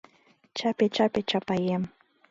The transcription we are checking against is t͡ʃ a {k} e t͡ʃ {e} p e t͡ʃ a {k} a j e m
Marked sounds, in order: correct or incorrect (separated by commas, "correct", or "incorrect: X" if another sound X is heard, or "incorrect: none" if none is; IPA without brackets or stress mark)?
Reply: incorrect: p, incorrect: a, incorrect: p